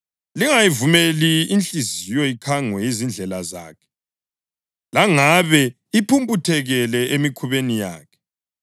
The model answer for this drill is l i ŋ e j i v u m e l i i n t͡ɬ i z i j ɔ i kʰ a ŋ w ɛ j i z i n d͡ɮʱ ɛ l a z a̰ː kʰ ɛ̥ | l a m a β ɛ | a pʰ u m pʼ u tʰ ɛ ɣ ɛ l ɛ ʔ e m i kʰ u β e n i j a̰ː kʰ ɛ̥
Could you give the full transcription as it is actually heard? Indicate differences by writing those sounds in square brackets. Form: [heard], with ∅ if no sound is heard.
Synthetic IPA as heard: l i ŋ [a] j i v u m e l i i n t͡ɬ i z i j ɔ i kʰ a ŋ w ɛ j i z i n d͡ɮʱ ɛ l a z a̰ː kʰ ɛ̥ | l a [ŋ] a β ɛ | [i] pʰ u m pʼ u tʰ ɛ ɣ ɛ l ɛ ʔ e m i kʰ u β e n i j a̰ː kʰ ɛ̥